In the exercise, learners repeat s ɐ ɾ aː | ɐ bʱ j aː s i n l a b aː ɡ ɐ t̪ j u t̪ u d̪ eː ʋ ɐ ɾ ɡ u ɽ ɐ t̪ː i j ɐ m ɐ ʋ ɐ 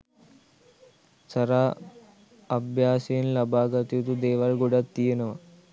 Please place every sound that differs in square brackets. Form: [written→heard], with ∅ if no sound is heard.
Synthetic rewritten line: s ɐ ɾ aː | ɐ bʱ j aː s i n l [a→ɐ] b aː ɡ ɐ t̪ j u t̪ u d̪ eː ʋ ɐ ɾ ɡ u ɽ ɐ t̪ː i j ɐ [m→n] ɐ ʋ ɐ